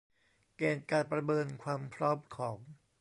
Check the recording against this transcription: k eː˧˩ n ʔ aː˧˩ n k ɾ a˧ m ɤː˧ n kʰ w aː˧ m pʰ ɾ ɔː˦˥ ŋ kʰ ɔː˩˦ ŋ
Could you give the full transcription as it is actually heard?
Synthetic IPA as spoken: k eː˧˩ n k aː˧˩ n p ɾ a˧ m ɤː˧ n kʰ w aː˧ m pʰ ɾ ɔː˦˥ m kʰ ɔː˩˦ ŋ